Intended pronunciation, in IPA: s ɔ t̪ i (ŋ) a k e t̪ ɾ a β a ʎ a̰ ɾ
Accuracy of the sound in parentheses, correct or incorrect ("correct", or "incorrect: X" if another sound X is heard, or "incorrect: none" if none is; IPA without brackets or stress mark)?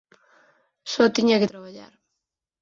incorrect: ɲ